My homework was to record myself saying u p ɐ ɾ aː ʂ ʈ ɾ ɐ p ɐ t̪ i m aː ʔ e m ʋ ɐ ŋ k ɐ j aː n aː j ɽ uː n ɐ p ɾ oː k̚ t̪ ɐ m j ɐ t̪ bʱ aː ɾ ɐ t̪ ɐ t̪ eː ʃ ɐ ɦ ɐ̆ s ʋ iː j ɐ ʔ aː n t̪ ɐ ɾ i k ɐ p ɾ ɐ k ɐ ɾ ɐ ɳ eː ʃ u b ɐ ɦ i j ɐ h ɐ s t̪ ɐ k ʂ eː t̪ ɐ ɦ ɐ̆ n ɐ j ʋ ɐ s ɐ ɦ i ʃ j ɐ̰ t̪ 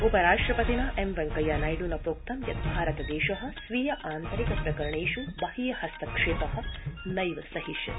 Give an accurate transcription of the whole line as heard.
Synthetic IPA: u p ɐ ɾ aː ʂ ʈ ɾ ɐ p ɐ t̪ i n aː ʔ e m ʋ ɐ ŋ k ɐ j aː n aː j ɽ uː n ɐ p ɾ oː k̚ t̪ ɐ m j ɐ t̪ bʱ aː ɾ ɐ t̪ ɐ d̪ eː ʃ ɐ ɦ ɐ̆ s ʋ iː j ɐ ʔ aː n t̪ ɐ ɾ i k ɐ p ɾ ɐ k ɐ ɾ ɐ ɳ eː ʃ u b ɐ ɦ i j ɐ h ɐ s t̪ ɐ k ʂ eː t̪ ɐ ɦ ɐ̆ n ɐ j ʋ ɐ s ɐ ɦ i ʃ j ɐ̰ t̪